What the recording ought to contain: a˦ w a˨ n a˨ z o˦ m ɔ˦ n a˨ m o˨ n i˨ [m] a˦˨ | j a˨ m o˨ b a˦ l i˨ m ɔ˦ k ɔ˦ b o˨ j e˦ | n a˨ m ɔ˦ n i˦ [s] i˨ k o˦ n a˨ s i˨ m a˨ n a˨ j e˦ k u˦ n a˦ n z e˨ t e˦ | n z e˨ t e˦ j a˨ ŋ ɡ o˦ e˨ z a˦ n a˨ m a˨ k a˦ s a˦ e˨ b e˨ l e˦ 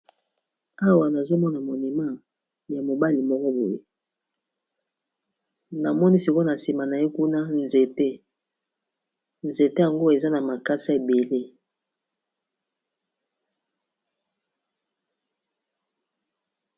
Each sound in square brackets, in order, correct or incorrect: correct, correct

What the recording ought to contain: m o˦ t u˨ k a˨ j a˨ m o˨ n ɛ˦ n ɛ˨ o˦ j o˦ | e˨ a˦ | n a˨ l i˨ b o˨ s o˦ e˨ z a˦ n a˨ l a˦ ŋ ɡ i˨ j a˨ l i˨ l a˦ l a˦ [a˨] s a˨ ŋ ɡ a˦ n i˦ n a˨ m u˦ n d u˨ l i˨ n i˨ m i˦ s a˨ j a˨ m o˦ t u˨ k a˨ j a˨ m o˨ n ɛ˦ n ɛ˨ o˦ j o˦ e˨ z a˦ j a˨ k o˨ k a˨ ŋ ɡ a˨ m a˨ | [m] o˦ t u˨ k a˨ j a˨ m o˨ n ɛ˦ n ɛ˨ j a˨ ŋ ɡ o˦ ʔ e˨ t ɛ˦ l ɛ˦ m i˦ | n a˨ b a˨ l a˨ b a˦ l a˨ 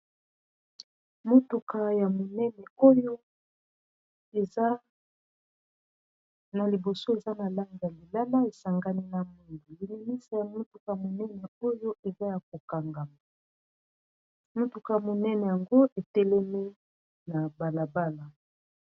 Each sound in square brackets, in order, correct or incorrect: incorrect, correct

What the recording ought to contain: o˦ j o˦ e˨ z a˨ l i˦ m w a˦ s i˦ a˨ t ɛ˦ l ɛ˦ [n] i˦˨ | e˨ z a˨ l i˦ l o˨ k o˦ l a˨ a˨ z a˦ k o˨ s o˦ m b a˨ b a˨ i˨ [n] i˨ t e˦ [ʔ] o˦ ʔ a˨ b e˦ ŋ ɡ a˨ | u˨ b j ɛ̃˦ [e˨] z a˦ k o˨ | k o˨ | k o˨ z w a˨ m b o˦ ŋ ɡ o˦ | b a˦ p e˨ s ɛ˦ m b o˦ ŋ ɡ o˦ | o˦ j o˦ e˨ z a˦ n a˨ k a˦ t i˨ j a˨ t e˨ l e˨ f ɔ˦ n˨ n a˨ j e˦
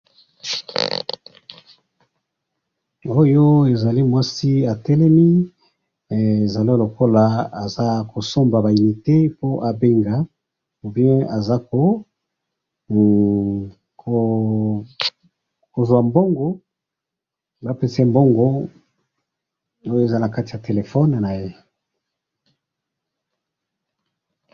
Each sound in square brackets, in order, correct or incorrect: incorrect, correct, incorrect, incorrect

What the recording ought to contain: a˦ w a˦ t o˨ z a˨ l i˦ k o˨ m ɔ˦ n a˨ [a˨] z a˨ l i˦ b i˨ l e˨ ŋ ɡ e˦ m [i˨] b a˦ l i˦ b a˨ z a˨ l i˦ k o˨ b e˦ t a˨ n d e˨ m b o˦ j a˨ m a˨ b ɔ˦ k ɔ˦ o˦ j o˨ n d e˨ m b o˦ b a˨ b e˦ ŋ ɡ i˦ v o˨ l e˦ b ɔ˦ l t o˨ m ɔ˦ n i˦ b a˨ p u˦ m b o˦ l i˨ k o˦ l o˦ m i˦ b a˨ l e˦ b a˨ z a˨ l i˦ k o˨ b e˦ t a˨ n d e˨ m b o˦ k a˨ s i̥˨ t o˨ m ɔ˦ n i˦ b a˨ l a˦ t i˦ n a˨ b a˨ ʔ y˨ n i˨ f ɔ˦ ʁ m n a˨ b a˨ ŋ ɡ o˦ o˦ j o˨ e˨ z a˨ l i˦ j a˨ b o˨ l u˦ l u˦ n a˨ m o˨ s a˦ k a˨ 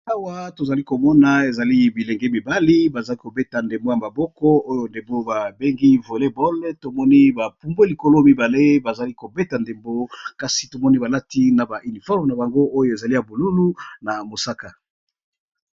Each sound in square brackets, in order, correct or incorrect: incorrect, correct

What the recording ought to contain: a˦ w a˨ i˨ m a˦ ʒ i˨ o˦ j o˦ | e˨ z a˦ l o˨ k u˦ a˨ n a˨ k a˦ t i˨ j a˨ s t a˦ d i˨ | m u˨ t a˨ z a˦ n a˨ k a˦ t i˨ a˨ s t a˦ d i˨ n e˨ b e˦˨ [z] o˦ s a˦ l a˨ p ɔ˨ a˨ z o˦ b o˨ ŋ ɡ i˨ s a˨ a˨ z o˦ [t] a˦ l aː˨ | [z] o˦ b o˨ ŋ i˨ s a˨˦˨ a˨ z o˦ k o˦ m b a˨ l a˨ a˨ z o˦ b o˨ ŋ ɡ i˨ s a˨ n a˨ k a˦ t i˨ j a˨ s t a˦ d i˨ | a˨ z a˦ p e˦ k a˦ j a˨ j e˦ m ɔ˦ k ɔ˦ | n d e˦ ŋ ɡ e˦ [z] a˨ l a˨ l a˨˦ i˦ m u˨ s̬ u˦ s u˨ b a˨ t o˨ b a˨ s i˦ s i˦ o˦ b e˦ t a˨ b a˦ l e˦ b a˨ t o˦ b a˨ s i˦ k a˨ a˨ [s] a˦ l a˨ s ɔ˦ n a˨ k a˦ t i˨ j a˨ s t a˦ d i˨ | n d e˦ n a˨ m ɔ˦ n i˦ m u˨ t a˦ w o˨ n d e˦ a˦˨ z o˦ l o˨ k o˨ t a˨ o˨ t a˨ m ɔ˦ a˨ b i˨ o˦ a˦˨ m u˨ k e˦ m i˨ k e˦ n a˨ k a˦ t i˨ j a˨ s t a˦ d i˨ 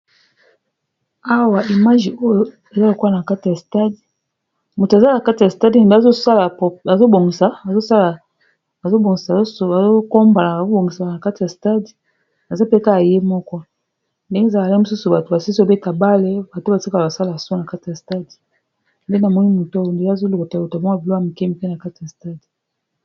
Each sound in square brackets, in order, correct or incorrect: correct, incorrect, correct, correct, correct

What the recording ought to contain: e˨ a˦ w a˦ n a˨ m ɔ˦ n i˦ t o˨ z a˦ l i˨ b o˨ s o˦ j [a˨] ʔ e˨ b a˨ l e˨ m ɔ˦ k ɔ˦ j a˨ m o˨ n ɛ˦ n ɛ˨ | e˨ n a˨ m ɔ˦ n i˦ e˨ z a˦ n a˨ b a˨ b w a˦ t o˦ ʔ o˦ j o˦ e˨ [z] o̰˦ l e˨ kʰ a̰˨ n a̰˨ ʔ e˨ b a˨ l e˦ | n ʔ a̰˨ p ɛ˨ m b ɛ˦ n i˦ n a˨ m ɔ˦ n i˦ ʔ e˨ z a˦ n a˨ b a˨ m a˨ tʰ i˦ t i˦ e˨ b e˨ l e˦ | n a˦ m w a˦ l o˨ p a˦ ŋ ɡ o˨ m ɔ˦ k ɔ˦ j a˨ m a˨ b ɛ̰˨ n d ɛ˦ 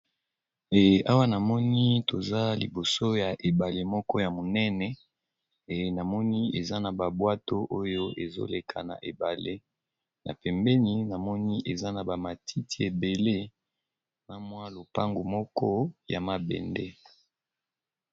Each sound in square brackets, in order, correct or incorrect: correct, correct

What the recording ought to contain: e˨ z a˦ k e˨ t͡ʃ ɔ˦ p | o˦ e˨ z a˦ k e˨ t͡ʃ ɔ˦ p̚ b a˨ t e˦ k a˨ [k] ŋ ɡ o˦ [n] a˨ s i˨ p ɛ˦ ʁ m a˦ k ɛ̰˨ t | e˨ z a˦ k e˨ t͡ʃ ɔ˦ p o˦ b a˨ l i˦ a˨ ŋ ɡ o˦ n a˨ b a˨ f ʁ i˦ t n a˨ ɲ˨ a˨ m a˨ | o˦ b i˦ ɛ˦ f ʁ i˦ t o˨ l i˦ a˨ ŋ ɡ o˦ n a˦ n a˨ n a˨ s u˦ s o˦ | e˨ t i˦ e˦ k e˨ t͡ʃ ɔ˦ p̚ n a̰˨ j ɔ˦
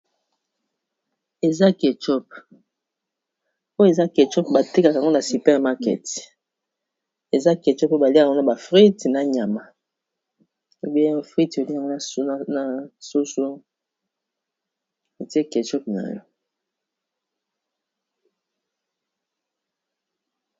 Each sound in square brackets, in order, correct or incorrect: correct, correct

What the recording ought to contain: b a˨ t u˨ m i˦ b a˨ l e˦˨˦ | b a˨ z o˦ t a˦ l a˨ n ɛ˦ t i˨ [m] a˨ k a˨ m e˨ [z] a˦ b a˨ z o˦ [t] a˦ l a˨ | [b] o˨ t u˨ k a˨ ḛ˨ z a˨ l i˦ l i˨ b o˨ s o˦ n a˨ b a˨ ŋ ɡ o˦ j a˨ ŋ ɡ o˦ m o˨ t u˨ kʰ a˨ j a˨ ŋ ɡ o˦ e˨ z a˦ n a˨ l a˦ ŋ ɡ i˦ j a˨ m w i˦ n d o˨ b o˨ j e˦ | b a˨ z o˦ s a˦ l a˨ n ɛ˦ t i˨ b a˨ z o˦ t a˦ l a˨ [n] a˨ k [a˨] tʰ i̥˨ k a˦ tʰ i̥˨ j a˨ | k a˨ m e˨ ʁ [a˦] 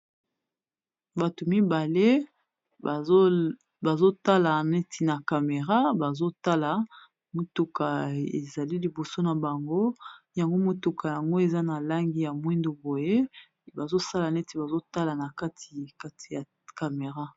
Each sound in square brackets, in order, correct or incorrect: incorrect, incorrect, correct, incorrect, correct, incorrect, correct

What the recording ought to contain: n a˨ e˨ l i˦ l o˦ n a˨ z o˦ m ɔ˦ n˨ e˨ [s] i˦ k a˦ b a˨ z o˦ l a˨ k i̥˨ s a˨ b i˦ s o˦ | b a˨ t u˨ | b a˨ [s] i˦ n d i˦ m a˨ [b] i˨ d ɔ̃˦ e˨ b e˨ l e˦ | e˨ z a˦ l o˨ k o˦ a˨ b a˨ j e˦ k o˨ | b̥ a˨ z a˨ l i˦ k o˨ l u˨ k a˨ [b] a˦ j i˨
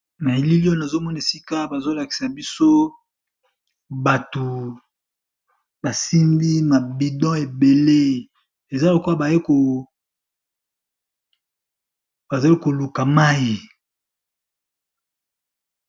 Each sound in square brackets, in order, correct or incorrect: correct, correct, correct, incorrect

